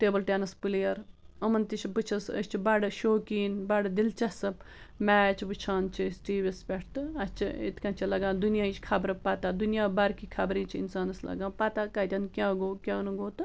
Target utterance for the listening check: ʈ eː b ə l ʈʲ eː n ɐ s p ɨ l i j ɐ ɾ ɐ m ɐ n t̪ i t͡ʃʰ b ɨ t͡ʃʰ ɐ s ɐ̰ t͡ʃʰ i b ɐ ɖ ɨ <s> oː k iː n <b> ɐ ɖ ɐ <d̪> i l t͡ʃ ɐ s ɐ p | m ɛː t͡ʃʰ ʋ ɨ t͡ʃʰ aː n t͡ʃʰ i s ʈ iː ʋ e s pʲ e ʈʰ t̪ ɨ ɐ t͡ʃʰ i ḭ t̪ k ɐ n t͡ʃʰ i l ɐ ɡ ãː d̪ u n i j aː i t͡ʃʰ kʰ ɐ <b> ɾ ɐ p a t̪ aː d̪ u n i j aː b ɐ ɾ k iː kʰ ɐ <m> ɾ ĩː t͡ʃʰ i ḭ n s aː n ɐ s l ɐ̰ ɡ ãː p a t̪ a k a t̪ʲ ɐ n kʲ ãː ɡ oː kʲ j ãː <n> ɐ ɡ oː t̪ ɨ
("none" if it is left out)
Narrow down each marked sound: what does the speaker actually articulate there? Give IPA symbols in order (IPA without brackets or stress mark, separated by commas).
ʃ, b, d̪, b, b, n